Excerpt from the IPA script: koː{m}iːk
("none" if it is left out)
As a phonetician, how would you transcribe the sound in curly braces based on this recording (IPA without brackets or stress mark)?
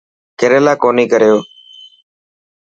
n